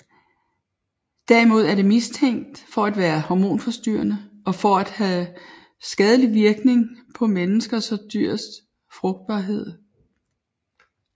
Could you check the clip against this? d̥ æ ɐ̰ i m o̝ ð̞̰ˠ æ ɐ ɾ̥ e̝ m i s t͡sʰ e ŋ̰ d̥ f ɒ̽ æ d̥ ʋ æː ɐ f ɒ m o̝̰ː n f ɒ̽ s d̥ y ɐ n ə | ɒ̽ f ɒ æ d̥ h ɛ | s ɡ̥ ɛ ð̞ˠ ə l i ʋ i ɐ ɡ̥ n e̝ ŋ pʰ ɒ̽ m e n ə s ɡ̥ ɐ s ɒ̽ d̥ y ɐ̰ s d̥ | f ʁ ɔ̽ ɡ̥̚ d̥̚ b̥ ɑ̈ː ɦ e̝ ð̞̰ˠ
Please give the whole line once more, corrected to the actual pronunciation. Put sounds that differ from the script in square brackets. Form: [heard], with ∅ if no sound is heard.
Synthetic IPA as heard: d̥ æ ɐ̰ i m o̝ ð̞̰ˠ æ ɐ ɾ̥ e̝ m i s t͡sʰ e ŋ̰ d̥ f ɒ̽ æ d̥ ʋ æː ɐ [h] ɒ m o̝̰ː n f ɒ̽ s d̥ y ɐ n ə | ɒ̽ f ɒ æ d̥ h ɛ | s ɡ̥ ɛ ð̞ˠ ə l i ʋ i ɐ ɡ̥ n e̝ ŋ pʰ ɒ̽ m e n ə s ɡ̥ ɐ s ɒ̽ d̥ y ɐ̰ s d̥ | f ʁ ɔ̽ ɡ̥̚ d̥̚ b̥ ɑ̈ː ɦ e̝ ð̞̰ˠ